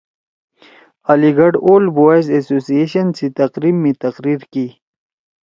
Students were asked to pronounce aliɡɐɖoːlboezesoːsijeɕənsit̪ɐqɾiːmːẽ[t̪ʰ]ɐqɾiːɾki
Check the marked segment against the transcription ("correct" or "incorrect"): incorrect